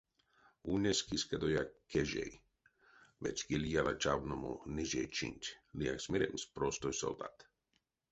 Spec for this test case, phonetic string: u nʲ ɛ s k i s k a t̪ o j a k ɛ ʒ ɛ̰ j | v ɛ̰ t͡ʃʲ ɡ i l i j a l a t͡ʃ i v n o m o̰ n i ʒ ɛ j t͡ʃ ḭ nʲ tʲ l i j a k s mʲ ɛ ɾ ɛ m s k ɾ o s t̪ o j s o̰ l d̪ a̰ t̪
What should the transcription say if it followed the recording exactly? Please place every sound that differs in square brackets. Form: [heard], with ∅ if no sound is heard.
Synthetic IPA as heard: u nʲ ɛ s k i s k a [d̪] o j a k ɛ ʒ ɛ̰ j | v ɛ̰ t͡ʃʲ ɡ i l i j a l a t͡ʃ [a] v n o m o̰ n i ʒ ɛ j t͡ʃ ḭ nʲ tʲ l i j a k s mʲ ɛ ɾ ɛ m s [p] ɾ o s t̪ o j s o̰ l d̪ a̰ t̪